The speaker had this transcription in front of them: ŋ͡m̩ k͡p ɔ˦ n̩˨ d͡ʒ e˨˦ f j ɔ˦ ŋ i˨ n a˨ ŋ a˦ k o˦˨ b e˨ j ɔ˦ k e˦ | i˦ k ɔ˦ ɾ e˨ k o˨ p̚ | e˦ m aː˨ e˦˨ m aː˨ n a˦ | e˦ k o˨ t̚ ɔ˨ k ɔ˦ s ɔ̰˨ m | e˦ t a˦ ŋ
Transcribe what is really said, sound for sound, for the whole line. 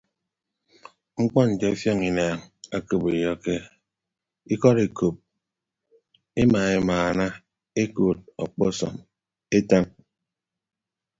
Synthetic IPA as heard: ŋ͡m̩ k͡p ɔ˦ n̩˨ d͡ʒ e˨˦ f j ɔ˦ ŋ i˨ n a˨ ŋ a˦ k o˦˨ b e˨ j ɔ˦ k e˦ | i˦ k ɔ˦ ɾ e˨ k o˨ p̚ | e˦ m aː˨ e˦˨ m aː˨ n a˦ | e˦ k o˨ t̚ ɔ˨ k͡p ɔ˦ s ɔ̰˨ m | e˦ t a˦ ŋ